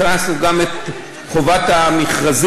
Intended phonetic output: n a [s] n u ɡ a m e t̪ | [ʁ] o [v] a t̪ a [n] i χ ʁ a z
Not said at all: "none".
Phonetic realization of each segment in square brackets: s, χ, v, m

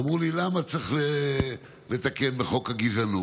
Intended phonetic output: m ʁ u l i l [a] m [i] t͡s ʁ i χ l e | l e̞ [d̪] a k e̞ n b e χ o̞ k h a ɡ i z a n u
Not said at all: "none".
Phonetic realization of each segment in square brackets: a, a, t̪

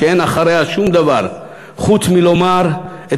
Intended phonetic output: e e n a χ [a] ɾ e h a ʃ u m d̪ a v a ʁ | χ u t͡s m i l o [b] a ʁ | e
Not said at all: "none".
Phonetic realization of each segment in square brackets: a, m

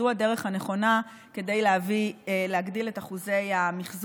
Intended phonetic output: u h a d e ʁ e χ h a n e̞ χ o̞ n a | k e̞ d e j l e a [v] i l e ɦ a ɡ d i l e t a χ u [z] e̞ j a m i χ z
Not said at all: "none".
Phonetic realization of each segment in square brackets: v, z

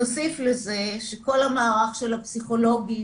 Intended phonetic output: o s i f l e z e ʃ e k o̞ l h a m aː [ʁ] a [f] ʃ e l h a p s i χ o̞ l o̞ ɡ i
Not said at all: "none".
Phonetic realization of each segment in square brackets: ʁ, χ

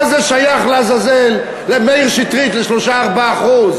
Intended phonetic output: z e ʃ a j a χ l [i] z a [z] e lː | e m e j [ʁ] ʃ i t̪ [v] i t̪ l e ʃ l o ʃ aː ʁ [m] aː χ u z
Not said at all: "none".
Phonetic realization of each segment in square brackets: a, z, ʁ, ʁ, b

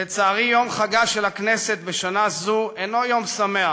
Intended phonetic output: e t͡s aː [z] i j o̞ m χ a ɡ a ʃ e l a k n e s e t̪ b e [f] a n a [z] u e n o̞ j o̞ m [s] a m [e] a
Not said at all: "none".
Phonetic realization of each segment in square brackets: ʁ, ʃ, z, s, e

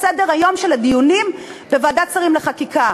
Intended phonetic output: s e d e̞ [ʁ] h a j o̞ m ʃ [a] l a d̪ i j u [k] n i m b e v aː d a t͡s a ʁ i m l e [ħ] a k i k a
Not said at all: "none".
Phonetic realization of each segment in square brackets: ʁ, e, none, χ

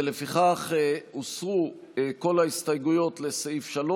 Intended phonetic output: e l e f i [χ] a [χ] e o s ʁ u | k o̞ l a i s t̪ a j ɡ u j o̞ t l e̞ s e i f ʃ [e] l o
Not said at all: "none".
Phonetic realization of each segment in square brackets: χ, χ, a

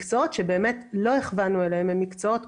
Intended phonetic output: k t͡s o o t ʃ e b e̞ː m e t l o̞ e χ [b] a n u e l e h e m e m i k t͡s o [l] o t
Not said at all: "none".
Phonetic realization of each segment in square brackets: v, none

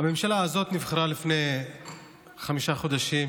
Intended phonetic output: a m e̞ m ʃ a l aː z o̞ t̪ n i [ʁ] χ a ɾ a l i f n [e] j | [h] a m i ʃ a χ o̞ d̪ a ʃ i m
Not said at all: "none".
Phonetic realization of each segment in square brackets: v, e, χ

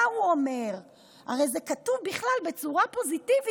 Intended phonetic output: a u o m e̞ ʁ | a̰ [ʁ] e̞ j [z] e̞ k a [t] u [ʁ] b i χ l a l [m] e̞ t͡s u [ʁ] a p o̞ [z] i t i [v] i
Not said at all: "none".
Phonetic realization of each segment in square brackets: ʁ, z, t, v, b, ʁ, z, v

